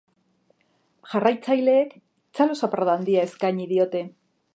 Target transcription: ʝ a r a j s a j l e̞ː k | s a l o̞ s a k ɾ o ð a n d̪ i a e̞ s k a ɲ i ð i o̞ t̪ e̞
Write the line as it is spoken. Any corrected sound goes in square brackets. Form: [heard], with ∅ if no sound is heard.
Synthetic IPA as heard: ʝ a r a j [t͡s] a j l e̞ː k | [t͡s] a l o̞ s a [p] ɾ o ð a n d̪ i a e̞ s k a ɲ i ð i o̞ t̪ e̞